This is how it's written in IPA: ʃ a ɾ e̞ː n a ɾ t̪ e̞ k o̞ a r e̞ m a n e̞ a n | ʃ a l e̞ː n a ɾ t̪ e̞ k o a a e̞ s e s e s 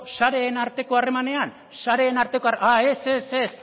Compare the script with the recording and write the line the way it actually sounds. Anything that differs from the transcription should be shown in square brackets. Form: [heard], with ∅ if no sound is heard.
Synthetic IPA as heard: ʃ a ɾ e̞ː n a ɾ t̪ e̞ k o̞ a r e̞ m a n e̞ a n | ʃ a [ɾ] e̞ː n a ɾ t̪ e̞ k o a a e̞ s e s e s